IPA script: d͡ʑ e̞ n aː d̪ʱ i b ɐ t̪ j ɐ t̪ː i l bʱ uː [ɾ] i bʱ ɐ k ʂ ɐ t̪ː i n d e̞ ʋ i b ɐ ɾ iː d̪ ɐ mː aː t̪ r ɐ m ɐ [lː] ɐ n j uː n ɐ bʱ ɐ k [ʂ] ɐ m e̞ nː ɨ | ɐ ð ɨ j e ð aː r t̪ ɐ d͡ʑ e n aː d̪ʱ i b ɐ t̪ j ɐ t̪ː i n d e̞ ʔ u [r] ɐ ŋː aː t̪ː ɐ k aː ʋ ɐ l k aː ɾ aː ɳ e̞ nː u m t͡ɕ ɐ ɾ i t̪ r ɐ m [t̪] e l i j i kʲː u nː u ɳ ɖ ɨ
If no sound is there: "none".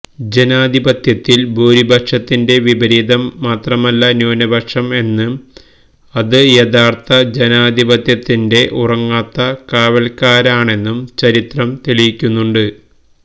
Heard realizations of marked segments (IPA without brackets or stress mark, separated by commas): ɾ, lː, ʂ, r, t̪